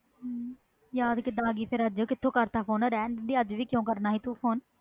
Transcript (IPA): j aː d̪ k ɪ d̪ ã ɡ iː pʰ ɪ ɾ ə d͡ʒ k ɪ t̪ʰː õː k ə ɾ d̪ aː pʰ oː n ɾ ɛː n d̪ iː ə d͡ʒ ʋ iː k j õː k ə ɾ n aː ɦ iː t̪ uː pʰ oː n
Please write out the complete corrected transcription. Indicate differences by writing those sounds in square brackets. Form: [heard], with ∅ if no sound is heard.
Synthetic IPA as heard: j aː d̪ k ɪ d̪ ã ɡ iː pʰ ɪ ɾ ə d͡ʒ k ɪ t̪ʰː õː k ə ɾ [t̪] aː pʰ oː n ɾ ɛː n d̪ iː ə d͡ʒ ʋ iː k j õː k ə ɾ n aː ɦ iː t̪ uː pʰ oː n